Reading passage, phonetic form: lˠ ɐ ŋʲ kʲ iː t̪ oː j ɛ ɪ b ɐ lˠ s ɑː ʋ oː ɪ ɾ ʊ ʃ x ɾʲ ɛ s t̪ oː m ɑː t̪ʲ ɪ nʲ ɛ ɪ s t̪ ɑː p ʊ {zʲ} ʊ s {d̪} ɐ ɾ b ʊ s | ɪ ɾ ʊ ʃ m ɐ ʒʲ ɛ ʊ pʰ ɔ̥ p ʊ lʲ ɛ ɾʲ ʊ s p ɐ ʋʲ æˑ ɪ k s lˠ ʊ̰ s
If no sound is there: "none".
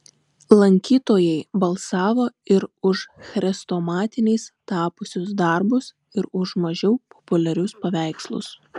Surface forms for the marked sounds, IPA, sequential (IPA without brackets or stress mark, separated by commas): sʲ, d̪